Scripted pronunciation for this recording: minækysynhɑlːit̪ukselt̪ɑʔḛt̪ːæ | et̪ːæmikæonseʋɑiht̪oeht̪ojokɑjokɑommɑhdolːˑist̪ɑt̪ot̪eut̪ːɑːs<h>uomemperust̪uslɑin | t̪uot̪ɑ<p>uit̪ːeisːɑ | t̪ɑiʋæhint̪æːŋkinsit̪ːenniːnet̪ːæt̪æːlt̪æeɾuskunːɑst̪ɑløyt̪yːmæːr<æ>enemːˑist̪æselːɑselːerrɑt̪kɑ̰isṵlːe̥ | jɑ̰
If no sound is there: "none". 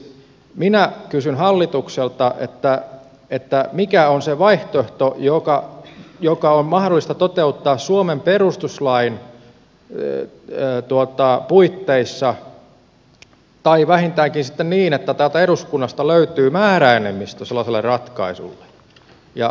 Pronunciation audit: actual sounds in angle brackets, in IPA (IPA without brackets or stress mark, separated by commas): s, p, æ